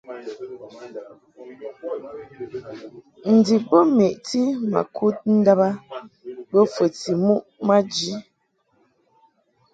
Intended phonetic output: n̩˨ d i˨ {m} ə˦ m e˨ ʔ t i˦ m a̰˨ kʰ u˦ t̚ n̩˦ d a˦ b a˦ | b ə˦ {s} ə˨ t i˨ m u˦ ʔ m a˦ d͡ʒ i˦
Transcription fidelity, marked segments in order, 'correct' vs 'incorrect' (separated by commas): incorrect, incorrect